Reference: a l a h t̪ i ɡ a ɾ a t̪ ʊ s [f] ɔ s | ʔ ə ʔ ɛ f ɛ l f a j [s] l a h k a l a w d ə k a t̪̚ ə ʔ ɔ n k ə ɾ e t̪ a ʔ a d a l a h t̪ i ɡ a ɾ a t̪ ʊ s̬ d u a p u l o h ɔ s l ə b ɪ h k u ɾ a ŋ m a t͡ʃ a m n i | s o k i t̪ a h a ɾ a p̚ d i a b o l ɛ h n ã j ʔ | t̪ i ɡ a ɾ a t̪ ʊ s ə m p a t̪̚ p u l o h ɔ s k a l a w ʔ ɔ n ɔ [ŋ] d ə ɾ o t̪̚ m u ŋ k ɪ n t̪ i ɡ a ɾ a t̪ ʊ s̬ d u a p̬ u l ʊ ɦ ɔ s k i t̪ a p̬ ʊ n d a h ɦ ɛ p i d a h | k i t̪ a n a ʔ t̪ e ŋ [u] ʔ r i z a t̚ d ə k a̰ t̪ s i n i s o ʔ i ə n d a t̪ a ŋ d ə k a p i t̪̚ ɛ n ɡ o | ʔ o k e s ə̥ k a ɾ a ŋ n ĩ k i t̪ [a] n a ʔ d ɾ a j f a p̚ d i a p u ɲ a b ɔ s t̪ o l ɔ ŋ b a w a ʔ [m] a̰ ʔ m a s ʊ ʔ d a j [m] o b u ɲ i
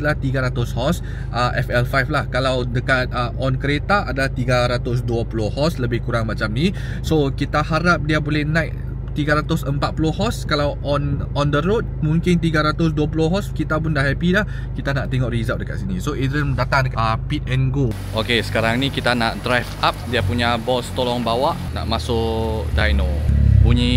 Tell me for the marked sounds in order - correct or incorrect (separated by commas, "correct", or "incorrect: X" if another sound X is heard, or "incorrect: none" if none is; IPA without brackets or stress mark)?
incorrect: h, incorrect: f, incorrect: n, incorrect: ɔ, correct, incorrect: n, incorrect: n